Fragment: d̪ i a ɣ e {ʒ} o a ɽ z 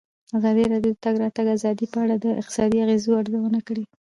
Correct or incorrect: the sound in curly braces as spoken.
incorrect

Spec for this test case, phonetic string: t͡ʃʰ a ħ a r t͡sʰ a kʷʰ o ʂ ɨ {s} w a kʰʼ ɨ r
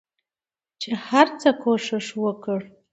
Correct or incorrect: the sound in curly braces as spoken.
incorrect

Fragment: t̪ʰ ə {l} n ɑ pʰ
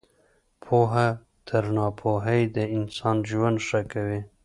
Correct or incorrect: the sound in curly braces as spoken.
incorrect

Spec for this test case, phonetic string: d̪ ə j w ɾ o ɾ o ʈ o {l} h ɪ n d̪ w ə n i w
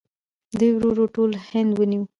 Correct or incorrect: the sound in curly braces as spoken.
correct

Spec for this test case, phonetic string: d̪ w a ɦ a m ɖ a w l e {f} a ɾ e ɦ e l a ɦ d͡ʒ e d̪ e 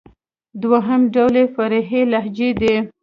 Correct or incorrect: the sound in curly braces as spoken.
correct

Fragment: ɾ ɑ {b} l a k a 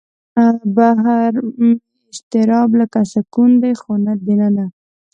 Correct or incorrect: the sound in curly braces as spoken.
correct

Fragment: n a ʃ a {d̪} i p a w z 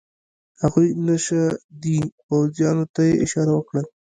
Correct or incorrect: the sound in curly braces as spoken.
correct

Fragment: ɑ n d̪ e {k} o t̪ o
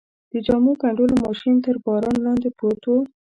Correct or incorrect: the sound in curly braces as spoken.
incorrect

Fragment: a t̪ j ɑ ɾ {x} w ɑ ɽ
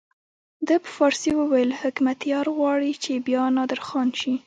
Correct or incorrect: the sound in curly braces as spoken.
incorrect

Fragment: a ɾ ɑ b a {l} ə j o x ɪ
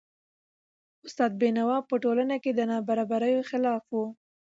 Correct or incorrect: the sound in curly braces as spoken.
incorrect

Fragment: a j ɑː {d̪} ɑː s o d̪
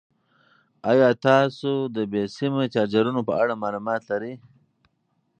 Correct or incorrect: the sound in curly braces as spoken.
incorrect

